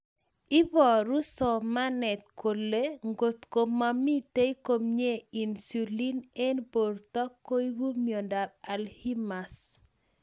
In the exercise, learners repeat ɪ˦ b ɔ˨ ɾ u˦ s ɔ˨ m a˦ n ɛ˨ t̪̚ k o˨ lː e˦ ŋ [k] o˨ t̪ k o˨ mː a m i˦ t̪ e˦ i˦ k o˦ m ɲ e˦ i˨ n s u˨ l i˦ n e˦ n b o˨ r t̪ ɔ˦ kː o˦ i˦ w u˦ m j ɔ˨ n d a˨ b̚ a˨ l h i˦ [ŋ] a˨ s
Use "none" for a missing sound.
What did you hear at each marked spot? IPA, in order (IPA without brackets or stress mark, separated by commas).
ɡ, m